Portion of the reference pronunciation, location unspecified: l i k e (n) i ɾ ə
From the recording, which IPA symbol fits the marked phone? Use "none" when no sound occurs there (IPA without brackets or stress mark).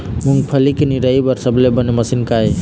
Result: n